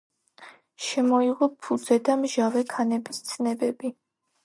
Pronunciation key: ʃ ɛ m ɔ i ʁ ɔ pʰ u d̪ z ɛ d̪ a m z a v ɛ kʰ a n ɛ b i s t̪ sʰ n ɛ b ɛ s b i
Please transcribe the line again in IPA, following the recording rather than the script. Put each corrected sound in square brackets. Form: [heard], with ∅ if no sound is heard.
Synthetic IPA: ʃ ɛ m ɔ i ʁ ɔ pʰ u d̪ z ɛ d̪ a m [ʒ] a v ɛ kʰ a n ɛ b i s t̪ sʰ n ɛ b ɛ [∅] b i